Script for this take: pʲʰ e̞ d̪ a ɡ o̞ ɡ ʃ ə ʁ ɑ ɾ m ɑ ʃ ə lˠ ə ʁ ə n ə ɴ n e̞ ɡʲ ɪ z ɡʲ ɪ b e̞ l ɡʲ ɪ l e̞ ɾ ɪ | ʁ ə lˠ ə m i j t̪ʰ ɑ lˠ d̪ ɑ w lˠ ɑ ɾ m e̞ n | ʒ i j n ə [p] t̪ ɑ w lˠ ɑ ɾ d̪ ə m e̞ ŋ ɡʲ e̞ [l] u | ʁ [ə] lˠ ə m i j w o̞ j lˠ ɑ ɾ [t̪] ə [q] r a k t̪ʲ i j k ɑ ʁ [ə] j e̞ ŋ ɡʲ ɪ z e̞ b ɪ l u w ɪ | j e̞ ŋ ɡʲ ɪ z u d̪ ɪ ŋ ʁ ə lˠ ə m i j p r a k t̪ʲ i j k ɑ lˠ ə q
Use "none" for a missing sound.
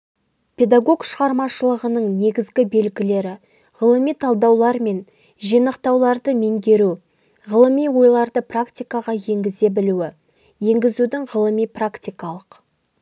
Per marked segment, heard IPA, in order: q, ɾ, ə, d̪, p, ɑ

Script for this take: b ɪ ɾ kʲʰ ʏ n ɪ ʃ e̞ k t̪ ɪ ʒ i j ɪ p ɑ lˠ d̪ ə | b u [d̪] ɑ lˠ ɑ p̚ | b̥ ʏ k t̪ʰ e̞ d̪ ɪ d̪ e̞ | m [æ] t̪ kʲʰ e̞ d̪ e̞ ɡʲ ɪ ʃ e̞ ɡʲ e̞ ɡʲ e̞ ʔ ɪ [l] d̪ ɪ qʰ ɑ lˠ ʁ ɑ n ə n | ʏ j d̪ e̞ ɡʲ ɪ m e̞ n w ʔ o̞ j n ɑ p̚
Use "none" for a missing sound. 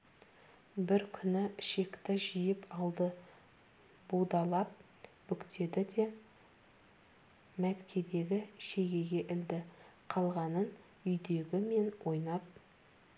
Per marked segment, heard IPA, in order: d̪, æ, l

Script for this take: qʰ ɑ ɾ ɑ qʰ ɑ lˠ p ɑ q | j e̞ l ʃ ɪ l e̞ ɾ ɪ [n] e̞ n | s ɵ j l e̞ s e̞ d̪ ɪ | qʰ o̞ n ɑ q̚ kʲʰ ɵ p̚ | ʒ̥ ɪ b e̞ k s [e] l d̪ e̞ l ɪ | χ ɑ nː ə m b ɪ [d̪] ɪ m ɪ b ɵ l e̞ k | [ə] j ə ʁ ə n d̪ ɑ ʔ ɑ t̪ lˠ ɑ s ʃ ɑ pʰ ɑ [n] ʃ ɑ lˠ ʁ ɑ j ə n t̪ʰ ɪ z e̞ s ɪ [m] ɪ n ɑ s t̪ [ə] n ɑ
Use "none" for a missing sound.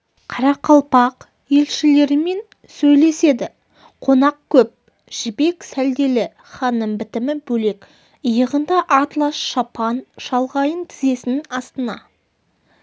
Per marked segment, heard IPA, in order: m, æ, t̪, ə, n, n, ə

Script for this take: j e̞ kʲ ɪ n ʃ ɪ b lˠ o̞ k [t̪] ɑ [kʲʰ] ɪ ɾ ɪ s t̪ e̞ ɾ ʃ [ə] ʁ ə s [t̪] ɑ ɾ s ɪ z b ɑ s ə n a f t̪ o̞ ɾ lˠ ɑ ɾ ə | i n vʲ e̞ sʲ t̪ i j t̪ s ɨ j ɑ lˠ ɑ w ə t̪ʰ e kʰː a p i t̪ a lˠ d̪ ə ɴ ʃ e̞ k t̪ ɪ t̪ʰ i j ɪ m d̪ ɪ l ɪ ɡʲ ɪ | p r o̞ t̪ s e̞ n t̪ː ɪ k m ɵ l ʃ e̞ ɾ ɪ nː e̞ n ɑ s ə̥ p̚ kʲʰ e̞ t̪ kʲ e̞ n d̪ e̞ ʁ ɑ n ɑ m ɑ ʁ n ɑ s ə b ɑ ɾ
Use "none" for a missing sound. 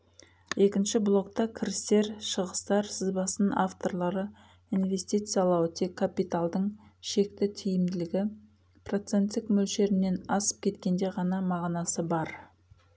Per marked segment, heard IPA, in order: t̪, kʲʰ, ə, t̪

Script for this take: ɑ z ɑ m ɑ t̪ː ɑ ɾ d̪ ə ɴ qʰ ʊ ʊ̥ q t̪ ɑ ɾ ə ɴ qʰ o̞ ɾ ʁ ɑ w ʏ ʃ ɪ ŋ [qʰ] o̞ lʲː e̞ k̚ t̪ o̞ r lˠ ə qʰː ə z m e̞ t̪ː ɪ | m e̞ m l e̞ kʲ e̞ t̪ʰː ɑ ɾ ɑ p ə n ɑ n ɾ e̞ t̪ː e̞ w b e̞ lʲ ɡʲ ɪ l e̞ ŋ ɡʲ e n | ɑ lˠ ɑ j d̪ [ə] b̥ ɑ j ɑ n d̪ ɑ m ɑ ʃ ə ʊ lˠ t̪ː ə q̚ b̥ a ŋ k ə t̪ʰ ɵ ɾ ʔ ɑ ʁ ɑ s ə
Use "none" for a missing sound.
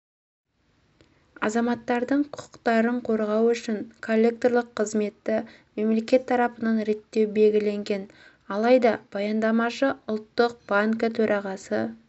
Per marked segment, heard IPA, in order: kʰ, ɑ

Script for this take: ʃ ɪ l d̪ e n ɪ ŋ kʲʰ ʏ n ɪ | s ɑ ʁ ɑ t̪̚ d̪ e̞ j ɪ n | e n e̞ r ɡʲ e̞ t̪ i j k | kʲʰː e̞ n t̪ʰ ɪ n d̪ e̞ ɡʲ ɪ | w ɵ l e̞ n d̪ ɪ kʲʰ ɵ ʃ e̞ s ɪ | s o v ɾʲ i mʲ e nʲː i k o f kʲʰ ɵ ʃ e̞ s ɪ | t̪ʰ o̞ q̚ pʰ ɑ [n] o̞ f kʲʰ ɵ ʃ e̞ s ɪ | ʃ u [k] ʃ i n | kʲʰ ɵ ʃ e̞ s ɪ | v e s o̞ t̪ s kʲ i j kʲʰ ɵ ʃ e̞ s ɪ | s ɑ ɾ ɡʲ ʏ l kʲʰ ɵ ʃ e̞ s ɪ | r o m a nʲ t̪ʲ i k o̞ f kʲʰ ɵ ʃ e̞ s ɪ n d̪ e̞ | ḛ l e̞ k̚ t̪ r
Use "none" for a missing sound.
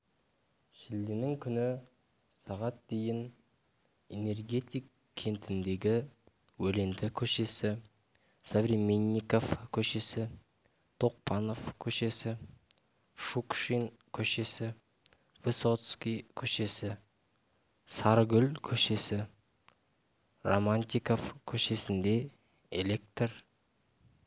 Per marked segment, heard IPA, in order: n, k

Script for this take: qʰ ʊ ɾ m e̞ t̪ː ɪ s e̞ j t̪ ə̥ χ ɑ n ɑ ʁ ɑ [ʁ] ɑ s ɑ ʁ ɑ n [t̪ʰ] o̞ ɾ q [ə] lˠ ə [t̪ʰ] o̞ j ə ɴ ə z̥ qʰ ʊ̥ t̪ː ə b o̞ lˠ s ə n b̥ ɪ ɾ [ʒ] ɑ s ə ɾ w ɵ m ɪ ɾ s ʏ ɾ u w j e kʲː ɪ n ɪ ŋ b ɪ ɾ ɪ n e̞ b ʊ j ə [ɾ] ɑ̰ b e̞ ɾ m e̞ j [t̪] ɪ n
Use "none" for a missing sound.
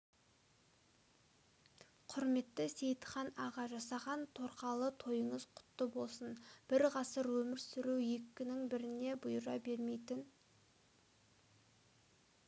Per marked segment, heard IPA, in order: ʒ, t̪ʰ, ɑ, t̪ʰ, ʁ, ɾ, t̪

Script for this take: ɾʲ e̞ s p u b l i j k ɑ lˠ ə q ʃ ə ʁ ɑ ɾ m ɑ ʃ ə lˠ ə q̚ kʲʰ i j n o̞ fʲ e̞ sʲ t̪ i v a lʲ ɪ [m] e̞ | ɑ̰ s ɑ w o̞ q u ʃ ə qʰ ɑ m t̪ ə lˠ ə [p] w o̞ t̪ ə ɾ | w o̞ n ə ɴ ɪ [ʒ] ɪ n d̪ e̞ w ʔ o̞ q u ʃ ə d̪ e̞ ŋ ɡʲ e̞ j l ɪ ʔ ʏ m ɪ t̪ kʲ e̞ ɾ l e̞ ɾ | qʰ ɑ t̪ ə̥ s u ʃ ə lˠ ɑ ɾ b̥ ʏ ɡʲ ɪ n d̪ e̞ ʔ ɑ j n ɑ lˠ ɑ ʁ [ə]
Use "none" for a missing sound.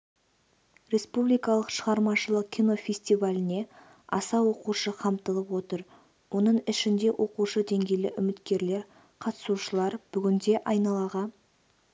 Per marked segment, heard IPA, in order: n, p, ʃ, ɑ

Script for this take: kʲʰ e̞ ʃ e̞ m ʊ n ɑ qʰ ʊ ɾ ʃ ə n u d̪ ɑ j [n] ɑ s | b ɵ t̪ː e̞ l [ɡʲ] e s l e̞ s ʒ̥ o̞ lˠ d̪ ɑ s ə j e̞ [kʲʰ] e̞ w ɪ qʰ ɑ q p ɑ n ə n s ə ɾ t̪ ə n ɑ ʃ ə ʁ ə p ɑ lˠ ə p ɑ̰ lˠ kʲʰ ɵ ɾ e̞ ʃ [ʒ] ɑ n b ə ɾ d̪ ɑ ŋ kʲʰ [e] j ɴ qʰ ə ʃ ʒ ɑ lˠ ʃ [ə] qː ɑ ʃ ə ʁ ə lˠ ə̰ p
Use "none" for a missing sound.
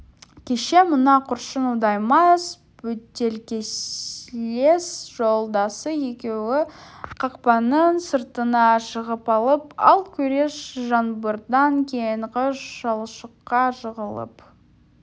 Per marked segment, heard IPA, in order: m, kʲ, kʲ, ʒ, e, ə

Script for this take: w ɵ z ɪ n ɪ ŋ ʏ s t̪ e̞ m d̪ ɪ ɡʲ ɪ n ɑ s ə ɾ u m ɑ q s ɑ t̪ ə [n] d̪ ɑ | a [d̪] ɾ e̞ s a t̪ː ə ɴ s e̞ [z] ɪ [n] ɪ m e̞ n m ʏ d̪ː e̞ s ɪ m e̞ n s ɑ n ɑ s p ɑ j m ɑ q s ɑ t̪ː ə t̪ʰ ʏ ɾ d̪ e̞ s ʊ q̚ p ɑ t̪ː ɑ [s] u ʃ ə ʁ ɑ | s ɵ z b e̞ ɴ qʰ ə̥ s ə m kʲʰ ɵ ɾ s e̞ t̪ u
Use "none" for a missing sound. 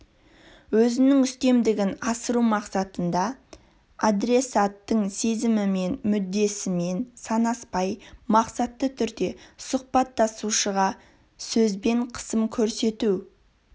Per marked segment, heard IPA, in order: n, d̪, z, m, s

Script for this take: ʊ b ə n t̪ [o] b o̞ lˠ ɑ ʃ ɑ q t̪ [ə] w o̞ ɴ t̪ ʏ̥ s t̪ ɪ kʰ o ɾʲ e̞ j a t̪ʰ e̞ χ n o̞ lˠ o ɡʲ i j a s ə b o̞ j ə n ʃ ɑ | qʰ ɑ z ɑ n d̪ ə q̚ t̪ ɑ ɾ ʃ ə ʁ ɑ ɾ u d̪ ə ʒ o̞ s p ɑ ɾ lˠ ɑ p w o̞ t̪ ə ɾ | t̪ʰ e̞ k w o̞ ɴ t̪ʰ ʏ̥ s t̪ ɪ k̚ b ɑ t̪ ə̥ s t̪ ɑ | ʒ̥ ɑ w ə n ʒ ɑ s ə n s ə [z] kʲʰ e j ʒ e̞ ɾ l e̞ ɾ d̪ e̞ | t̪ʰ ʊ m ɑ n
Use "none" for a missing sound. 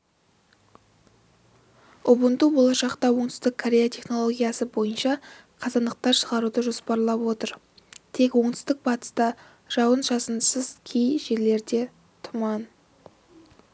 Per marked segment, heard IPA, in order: u, ɑ, z

